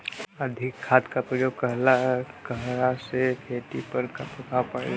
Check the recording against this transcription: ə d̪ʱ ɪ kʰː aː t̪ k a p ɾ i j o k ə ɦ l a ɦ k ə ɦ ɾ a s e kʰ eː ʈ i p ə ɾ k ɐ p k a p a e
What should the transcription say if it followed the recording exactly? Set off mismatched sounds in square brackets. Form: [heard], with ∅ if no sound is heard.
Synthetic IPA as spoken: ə d̪ʱ ɪ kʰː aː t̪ k a p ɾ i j o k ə ɦ l a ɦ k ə ɦ ɾ a s e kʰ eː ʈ i p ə ɾ k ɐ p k a p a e